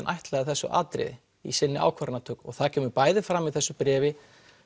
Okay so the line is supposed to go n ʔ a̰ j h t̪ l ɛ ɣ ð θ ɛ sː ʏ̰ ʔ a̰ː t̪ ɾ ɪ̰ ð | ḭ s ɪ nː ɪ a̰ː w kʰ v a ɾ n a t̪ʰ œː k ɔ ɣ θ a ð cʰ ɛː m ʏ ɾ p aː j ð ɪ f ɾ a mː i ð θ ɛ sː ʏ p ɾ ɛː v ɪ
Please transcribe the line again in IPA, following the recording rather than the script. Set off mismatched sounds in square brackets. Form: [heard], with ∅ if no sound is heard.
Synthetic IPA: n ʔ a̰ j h t̪ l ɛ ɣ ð θ ɛ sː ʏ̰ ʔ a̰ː t̪ ɾ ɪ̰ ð | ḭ s ɪ nː ɪ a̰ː w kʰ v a ɾ n a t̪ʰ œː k ɔ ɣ θ a ð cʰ ɛː m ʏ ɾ p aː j ð ɪ f ɾ a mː i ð θ ɛ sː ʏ p ɾ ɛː v ɪ